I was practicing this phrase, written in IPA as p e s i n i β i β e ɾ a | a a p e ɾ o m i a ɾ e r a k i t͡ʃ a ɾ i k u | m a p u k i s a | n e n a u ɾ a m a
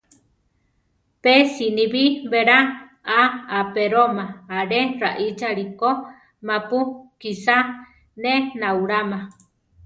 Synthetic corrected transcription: p e s i n i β i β e ɾ a | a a p e ɾ o m a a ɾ e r a ʔ i t͡ʃ a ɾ i k o | m a p u k i s a | n e n a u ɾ a m a